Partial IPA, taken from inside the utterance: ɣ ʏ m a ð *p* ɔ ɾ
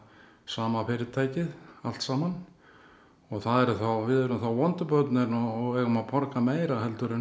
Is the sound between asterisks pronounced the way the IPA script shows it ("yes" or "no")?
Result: no